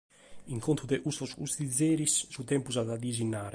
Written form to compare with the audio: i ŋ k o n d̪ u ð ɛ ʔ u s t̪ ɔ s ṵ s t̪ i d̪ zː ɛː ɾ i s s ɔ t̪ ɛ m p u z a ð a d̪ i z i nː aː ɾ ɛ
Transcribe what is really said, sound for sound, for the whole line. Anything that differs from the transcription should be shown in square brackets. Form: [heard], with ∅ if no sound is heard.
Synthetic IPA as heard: i ŋ k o n [t̪] u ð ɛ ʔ u s t̪ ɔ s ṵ s t̪ i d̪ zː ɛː ɾ i s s [u] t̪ ɛ m p u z a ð a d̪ i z i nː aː ɾ ɛ